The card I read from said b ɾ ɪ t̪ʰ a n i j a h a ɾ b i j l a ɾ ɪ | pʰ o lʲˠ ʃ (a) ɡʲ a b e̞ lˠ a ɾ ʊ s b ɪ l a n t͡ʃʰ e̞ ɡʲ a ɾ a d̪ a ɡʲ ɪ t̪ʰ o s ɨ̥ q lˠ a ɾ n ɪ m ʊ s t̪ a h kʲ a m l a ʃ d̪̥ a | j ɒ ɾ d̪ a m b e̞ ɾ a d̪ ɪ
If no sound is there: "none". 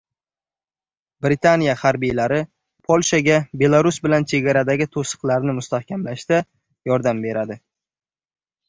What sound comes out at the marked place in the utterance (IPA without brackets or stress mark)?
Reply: a